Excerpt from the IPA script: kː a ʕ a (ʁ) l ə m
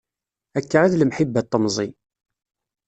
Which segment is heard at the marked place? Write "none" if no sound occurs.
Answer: ð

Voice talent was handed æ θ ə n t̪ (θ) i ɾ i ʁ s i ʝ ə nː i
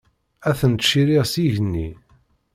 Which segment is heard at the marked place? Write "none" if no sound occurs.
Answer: ʃ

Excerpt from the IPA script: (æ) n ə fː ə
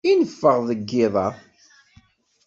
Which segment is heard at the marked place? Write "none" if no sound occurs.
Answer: i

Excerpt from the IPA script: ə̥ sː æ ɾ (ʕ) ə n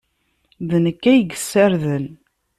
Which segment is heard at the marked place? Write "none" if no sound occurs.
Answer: ð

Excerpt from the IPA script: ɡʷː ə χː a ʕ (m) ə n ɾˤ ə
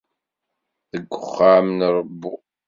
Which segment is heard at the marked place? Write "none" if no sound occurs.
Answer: m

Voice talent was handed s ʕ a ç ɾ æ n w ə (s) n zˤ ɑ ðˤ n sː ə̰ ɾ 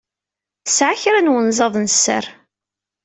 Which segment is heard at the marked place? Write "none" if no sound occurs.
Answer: none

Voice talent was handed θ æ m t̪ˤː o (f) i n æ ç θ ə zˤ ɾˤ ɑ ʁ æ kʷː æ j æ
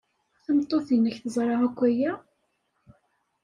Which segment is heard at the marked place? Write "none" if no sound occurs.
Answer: θ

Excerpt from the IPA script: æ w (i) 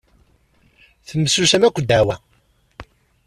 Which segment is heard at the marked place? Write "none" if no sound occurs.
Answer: æ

